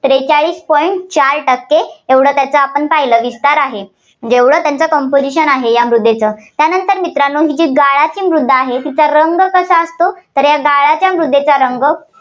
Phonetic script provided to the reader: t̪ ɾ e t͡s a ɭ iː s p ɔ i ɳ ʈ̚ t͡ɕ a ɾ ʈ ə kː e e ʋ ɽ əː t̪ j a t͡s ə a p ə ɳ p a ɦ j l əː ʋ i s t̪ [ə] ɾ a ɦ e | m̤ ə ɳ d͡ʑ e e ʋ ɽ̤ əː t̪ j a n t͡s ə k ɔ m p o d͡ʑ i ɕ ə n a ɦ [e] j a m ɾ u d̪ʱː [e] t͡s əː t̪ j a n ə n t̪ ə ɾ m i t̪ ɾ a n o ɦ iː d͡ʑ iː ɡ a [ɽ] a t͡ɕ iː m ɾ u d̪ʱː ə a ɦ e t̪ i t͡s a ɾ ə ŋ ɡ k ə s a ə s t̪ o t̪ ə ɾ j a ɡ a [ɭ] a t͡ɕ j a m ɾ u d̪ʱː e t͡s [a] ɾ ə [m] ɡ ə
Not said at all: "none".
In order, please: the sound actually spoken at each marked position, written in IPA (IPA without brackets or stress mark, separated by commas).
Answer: a, e, e, ɭ, ɭ, a, ŋ